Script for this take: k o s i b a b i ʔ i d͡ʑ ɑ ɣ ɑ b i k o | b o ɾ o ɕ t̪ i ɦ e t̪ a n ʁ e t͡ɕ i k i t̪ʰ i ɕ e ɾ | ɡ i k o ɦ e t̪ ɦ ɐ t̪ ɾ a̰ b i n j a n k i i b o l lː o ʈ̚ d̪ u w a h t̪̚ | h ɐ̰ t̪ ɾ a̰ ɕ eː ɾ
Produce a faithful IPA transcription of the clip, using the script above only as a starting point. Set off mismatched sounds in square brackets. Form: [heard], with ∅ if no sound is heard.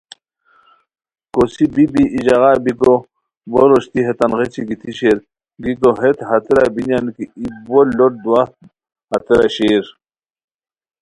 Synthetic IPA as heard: k o s i b [i] b i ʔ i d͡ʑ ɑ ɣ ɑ b i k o | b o ɾ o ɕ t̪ i ɦ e t̪ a n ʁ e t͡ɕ i [ɡ] i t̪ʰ i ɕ e ɾ | ɡ i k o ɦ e t̪ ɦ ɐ t̪ ɾ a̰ b i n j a n k i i b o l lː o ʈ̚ d̪ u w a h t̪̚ | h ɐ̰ t̪ ɾ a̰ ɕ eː ɾ